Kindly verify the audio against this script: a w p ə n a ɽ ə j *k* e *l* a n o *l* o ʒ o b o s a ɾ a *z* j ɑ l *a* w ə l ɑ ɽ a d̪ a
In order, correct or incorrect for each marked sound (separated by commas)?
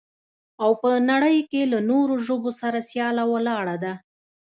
correct, correct, incorrect, incorrect, correct